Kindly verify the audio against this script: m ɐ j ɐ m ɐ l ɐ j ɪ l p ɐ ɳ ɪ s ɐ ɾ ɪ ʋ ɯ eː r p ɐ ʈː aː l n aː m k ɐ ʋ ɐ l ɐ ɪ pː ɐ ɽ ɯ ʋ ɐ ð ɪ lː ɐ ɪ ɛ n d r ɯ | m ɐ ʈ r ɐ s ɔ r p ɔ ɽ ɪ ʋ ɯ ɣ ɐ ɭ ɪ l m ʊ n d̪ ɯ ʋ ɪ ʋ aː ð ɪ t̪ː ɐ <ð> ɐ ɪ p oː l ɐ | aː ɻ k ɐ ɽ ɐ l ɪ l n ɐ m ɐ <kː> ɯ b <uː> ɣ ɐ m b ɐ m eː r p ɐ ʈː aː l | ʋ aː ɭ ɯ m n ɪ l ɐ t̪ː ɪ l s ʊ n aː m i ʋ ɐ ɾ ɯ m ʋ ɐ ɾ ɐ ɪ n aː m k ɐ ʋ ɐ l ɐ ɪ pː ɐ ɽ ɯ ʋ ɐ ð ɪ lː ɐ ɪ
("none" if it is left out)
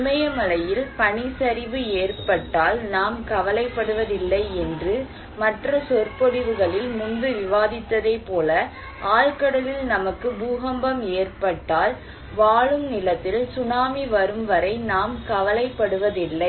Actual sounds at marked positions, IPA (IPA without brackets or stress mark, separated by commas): ð, kː, uː